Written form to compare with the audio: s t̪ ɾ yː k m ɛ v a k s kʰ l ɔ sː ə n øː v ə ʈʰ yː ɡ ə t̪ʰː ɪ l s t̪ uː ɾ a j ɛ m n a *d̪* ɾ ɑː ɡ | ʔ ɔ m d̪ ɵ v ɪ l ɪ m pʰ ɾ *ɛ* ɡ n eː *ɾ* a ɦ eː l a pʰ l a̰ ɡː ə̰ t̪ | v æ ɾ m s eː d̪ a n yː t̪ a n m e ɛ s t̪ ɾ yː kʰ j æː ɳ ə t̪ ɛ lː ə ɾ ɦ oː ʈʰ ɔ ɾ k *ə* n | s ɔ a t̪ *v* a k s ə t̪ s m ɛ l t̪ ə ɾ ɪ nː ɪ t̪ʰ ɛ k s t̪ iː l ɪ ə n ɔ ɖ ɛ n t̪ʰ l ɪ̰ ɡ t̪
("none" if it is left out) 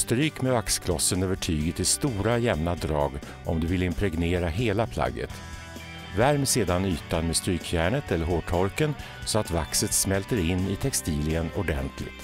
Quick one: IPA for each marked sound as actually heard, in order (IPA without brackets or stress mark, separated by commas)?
d̪, ɛ, ɾ, ə, v